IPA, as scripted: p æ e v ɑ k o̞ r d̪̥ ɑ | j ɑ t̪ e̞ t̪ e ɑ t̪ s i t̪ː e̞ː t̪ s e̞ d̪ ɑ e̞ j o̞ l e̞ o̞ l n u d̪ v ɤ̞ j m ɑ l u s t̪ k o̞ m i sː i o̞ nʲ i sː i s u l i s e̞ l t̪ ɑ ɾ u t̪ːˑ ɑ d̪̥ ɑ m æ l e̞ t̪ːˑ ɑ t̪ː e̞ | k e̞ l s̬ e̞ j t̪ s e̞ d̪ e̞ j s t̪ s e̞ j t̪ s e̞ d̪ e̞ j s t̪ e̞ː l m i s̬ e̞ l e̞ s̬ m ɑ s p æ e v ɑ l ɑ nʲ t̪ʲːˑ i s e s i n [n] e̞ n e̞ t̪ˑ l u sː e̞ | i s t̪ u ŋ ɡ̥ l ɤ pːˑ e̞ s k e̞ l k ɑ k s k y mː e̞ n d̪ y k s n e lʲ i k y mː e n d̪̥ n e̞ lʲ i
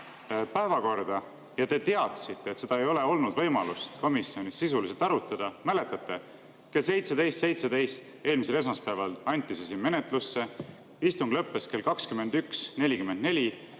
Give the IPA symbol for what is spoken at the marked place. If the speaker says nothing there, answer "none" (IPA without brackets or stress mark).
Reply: m